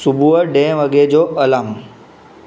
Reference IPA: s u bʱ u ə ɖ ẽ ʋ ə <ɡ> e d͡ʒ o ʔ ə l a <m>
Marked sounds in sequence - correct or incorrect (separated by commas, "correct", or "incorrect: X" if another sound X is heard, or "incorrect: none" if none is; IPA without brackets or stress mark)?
correct, correct